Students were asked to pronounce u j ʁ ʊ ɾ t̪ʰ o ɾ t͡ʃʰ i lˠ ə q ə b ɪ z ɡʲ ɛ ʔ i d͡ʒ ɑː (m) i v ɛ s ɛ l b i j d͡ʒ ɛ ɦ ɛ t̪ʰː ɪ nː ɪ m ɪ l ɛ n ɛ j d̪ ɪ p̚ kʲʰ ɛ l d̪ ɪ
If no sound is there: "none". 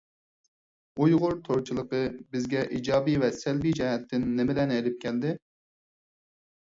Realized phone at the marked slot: b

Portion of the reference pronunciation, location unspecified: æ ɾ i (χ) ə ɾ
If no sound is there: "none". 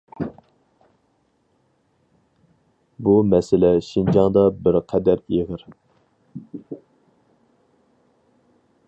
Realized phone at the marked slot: ʁ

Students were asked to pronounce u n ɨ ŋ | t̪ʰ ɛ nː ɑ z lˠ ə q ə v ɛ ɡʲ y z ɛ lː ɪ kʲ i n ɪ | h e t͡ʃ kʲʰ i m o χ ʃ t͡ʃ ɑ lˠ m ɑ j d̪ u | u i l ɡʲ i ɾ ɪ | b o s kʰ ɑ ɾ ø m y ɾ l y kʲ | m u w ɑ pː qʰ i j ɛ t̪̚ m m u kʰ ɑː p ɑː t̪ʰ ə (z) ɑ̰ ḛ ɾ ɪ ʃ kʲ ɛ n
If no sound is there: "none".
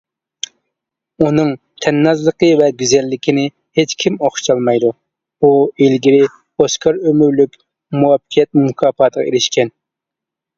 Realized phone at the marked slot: ʁ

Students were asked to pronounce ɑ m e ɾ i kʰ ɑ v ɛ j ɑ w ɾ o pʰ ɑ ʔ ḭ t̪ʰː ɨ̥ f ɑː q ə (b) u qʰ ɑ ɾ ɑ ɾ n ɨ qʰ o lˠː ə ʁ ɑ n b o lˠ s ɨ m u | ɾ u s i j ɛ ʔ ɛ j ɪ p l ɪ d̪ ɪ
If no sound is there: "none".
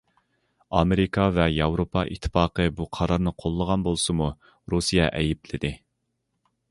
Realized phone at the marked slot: b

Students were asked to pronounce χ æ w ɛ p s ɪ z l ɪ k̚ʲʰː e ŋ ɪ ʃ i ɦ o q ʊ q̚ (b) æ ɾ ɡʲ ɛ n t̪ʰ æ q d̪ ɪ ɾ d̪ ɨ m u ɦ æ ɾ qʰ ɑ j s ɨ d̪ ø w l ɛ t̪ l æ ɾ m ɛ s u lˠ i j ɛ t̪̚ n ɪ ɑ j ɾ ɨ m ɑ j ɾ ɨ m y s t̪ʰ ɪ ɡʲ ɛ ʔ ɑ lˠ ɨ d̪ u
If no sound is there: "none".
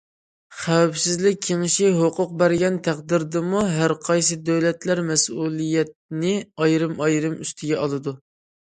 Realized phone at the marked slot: b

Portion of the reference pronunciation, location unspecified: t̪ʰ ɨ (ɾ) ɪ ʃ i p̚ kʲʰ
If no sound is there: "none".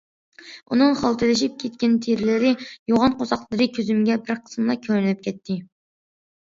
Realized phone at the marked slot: l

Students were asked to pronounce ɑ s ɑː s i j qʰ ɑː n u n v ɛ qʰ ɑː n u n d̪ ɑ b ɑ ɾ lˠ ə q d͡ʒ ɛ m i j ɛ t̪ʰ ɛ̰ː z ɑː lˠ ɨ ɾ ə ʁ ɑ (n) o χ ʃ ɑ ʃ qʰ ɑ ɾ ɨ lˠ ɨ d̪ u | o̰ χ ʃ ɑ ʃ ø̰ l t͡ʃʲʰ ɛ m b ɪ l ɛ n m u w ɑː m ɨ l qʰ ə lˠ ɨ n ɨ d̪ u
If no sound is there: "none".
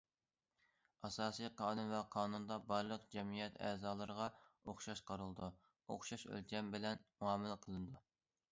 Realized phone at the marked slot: none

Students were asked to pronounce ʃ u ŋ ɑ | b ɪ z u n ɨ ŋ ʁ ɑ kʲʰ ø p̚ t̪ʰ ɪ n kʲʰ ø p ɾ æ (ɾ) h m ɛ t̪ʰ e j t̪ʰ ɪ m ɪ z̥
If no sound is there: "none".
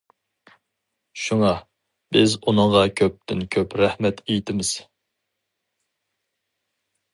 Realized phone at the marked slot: none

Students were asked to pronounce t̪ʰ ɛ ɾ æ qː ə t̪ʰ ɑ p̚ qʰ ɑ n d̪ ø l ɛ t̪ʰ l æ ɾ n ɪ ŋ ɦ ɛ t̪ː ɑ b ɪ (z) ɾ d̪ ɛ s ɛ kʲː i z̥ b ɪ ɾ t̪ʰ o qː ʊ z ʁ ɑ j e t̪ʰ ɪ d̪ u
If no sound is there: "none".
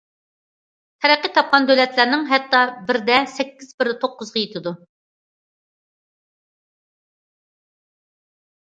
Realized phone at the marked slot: none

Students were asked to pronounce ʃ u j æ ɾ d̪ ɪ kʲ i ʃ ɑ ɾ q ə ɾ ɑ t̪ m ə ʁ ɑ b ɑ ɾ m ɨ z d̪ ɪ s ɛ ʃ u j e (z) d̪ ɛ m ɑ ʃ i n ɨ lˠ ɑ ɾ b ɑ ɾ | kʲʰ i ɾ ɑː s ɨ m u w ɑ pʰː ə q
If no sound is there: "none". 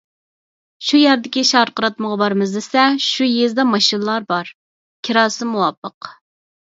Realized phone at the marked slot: z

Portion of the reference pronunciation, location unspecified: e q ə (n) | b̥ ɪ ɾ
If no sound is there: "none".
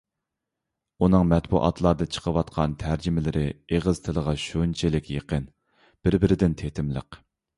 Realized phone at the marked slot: n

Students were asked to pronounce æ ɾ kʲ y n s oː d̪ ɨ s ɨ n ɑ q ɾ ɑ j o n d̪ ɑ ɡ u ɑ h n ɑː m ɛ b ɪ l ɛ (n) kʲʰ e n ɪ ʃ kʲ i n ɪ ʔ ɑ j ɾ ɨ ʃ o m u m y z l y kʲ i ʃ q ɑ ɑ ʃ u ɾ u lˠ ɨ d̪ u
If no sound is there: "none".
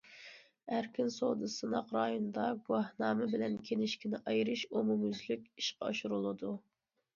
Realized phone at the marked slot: n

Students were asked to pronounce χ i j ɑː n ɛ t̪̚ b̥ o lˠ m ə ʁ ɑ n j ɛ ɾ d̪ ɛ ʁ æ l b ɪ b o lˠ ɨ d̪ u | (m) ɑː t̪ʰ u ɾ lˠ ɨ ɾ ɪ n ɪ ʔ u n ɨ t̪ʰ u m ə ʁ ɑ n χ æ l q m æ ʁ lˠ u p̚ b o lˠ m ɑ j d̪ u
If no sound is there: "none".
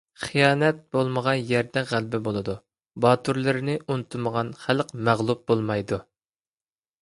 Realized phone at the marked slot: b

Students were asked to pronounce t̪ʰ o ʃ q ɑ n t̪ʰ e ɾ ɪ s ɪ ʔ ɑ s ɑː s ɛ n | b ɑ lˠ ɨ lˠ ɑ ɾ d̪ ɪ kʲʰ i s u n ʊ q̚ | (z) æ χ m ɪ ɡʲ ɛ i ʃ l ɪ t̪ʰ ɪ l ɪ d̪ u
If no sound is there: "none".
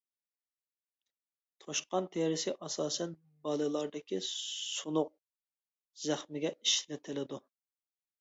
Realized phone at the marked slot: z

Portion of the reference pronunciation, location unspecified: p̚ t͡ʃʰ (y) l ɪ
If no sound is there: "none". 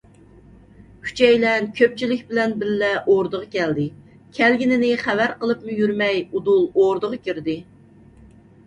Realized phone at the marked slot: i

